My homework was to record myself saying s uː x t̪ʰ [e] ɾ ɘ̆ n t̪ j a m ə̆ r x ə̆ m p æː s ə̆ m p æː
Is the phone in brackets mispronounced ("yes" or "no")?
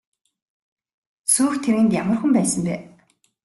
no